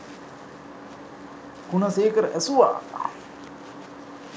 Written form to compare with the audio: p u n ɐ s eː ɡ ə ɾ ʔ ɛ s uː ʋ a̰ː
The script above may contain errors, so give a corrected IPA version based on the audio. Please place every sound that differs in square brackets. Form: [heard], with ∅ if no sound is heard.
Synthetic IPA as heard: [k] u n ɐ s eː [k] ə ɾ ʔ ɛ s [u] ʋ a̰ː